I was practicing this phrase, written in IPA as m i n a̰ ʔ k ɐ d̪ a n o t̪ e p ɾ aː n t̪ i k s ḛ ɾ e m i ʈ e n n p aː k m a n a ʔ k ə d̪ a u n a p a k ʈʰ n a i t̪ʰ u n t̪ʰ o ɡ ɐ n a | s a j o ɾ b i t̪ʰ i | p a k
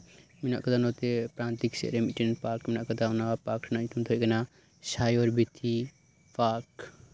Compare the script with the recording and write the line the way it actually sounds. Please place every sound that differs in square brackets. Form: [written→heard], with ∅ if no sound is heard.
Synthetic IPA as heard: m i n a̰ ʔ k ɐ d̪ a n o t̪ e p ɾ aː n t̪ i k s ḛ ɾ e m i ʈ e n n p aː k m [a→i] n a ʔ k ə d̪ a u n a p a k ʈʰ n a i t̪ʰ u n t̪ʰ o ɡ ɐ n a | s a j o ɾ b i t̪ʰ i | p a k